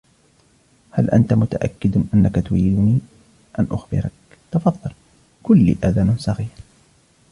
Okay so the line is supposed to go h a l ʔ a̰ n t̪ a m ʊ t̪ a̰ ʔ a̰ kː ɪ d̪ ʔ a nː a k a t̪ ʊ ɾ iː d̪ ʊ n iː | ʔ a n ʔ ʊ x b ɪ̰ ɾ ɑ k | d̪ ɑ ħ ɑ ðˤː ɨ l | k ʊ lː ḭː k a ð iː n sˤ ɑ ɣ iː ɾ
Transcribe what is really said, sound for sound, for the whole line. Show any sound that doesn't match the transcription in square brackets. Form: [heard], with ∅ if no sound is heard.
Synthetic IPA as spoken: h a l ʔ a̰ n t̪ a m ʊ t̪ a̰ ʔ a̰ kː ɪ d̪ ʔ a nː a k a t̪ ʊ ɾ iː d̪ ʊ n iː | ʔ a n ʔ ʊ x b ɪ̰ ɾ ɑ k | [t̪] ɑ [f] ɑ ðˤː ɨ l | k ʊ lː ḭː [ʔ] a ð [aː] n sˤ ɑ ɣ iː ɾ